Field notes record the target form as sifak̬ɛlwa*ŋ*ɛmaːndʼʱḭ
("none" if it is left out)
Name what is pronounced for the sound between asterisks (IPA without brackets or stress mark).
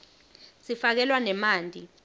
n